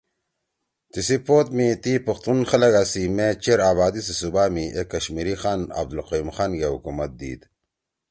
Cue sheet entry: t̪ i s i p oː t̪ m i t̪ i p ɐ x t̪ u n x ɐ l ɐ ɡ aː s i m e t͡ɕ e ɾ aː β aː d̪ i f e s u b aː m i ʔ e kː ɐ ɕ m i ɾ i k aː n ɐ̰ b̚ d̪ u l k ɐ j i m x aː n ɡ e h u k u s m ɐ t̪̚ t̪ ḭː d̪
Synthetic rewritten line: t̪ i s i p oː t̪ m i t̪ i p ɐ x t̪ u n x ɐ l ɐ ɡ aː s i m e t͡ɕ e ɾ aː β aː d̪ i s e s u b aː m i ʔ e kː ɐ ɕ m i ɾ i x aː n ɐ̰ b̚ d̪ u l q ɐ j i m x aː n ɡ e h u k u m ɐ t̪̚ d̪ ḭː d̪